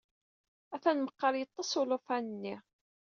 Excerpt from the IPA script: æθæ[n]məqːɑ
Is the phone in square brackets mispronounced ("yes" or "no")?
no